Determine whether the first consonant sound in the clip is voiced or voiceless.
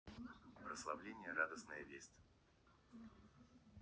voiceless